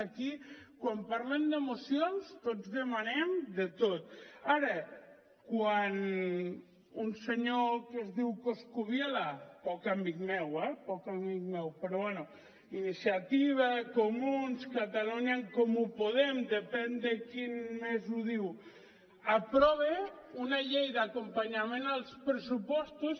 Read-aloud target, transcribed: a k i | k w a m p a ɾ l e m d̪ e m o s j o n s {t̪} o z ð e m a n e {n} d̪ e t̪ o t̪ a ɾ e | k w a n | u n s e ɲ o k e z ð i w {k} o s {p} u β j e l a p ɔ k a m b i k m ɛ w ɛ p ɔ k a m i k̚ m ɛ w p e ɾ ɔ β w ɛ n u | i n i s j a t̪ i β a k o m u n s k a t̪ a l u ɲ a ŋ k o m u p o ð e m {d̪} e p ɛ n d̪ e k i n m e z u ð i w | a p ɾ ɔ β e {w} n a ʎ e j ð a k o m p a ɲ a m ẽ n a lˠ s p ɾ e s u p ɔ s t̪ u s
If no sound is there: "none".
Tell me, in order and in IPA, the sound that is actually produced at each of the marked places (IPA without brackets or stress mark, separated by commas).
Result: t̪, m, k, k, d̪, u